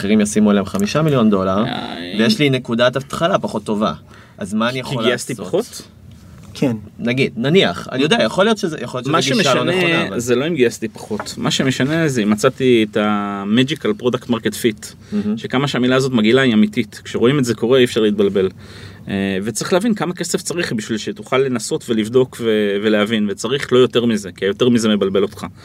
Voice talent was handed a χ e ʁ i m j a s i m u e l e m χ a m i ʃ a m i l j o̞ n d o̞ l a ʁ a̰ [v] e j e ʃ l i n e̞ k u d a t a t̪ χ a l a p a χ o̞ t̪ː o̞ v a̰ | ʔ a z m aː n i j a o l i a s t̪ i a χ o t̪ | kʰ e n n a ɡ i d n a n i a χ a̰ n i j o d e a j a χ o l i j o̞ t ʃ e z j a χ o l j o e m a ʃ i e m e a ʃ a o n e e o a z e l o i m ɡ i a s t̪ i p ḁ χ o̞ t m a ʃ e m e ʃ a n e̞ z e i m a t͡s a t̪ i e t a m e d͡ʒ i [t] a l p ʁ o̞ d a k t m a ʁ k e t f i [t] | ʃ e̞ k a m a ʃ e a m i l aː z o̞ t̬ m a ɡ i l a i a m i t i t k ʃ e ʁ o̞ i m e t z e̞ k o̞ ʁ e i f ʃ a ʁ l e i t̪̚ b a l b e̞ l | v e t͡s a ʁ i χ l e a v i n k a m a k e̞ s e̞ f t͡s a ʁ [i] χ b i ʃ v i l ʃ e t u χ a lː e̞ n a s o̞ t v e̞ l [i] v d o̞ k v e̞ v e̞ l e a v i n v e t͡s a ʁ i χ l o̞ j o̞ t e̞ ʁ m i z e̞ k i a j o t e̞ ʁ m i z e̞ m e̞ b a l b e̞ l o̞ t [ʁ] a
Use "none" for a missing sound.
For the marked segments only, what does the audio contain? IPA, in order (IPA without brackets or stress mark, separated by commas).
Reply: v, k, t, i, i, χ